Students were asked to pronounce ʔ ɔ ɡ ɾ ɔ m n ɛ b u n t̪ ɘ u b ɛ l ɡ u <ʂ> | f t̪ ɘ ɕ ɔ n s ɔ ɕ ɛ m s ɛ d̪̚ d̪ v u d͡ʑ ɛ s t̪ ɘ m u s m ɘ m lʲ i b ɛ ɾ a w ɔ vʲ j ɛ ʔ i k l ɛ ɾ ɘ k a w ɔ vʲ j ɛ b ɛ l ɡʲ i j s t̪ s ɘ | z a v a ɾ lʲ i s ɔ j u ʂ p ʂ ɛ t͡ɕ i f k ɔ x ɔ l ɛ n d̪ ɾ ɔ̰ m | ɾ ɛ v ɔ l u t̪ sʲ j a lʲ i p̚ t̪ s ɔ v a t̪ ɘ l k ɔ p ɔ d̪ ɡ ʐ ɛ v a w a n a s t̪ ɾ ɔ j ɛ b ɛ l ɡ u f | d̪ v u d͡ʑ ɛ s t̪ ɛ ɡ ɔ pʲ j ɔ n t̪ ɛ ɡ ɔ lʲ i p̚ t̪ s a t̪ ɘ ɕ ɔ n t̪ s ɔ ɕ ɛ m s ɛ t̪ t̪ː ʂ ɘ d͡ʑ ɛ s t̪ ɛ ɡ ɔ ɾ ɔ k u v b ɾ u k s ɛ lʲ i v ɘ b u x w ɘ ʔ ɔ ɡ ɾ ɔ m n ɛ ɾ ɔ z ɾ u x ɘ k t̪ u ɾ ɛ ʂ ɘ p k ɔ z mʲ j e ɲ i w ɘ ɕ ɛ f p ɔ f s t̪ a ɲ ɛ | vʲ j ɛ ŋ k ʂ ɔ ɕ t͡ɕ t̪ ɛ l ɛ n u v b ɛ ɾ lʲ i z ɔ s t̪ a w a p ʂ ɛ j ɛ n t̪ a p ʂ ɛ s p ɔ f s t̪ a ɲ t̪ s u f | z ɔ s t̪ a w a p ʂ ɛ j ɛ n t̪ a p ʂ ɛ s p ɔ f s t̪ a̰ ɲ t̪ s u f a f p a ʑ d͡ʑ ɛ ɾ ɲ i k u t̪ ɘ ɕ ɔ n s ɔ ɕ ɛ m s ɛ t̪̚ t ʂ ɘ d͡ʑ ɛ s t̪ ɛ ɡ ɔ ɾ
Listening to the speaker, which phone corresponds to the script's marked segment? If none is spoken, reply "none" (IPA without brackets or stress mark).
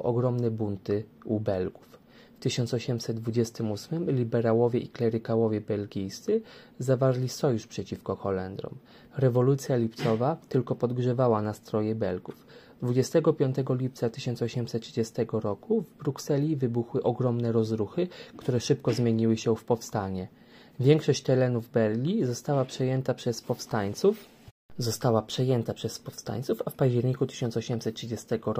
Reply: f